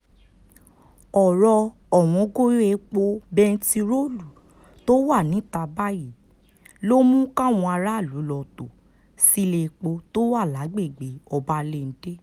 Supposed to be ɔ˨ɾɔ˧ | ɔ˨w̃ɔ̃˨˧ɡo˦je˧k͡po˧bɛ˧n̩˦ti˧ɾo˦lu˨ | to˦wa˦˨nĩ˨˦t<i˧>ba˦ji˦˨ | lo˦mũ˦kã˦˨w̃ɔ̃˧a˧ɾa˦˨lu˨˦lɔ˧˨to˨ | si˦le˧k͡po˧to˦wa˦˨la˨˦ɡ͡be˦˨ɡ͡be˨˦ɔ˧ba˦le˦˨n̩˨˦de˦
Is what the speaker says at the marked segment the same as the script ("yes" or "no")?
no